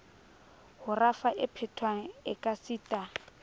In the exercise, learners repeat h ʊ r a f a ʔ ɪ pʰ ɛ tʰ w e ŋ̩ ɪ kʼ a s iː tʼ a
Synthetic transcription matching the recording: h ʊ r a f a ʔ ɪ pʰ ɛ tʰ w a ŋ̩ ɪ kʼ a s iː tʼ a